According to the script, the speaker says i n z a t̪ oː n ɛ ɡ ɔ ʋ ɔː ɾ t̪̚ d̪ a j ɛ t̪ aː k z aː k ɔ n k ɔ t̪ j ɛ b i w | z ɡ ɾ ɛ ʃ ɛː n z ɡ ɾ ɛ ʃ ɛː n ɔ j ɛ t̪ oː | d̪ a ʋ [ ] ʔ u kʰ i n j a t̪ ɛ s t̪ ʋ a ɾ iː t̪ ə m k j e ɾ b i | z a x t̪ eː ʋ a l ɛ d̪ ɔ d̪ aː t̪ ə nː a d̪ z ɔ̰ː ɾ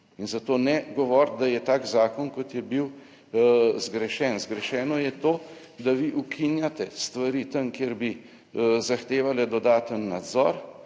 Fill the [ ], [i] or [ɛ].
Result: i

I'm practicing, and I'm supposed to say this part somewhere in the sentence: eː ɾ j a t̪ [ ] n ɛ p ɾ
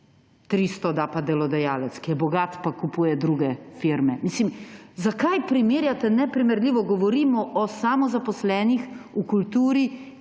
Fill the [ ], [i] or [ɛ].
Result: ɛ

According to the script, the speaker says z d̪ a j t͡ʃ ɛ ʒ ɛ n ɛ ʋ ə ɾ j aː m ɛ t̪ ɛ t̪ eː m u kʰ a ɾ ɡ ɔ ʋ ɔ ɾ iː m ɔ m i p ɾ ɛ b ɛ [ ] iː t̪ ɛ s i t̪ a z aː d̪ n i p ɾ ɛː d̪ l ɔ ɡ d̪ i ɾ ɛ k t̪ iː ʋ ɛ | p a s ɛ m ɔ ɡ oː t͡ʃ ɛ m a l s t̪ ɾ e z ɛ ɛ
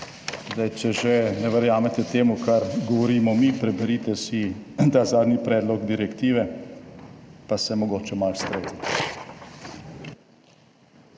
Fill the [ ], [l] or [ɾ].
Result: ɾ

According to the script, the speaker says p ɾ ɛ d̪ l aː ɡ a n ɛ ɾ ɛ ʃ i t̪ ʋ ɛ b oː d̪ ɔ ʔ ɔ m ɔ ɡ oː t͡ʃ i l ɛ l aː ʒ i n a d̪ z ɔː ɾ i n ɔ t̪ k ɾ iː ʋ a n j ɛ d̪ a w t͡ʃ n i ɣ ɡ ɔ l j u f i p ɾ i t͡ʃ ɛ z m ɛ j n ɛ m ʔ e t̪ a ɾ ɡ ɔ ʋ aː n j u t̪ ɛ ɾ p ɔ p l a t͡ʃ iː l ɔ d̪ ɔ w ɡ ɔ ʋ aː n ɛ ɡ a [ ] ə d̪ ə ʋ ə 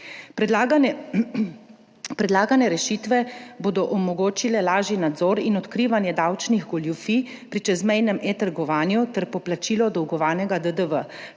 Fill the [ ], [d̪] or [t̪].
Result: d̪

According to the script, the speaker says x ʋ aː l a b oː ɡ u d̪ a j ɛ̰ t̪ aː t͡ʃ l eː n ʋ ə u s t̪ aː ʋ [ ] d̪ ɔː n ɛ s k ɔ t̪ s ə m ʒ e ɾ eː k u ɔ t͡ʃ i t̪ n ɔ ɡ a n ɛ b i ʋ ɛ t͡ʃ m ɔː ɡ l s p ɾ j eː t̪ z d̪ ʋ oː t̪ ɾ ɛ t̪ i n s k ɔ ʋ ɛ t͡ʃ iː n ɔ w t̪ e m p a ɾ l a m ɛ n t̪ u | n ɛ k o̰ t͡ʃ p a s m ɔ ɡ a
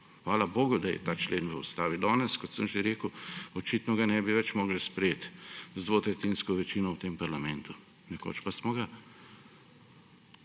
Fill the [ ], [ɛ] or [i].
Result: i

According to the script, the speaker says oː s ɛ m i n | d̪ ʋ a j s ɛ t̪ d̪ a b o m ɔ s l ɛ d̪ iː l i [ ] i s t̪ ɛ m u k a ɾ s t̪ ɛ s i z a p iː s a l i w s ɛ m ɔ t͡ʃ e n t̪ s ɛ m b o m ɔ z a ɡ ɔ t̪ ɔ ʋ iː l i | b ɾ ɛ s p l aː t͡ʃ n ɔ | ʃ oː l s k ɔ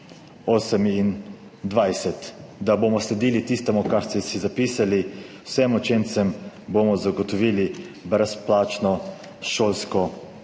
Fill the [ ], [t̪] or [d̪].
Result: t̪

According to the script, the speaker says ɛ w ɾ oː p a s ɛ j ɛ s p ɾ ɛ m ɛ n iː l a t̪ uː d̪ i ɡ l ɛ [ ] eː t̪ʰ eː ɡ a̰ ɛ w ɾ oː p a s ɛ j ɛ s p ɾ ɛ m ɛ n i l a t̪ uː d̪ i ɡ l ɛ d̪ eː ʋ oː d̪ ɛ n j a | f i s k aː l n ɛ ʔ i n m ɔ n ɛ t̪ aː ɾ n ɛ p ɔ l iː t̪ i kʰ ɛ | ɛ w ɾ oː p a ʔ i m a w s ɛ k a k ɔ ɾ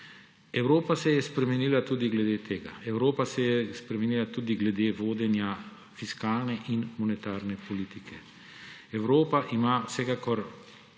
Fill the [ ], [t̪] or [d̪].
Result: d̪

